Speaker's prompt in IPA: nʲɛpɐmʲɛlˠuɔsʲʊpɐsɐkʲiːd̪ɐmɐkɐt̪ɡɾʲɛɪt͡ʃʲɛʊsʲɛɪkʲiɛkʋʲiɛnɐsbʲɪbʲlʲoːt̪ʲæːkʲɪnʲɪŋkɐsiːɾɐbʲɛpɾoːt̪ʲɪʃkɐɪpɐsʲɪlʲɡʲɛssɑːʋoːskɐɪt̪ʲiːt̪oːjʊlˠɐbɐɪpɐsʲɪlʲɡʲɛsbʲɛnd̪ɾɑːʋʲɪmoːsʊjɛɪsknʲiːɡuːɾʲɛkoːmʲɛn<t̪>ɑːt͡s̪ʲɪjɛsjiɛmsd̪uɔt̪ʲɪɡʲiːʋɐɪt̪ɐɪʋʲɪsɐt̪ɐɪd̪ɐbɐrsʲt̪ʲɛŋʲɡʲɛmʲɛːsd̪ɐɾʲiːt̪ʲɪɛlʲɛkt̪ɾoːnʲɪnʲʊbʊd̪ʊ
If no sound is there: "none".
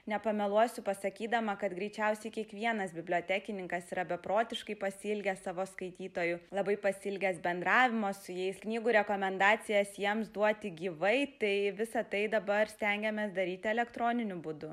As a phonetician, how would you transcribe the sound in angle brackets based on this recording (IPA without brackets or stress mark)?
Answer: d̪